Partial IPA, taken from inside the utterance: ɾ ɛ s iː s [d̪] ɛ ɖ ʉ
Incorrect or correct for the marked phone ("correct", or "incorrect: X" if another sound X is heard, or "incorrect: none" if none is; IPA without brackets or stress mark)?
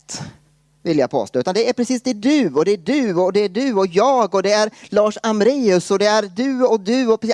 correct